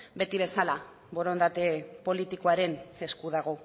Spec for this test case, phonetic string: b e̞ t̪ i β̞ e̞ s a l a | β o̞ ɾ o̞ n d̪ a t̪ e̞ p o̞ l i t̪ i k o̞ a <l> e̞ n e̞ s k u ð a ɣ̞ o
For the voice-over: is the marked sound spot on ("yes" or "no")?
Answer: no